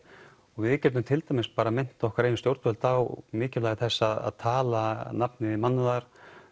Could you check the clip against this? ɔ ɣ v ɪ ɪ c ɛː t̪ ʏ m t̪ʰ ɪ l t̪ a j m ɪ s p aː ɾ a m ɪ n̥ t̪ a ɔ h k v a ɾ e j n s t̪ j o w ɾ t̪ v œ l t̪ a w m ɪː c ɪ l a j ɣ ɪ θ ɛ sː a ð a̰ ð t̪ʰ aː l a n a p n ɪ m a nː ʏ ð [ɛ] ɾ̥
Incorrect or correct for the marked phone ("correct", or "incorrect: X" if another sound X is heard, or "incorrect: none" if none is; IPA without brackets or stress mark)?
incorrect: a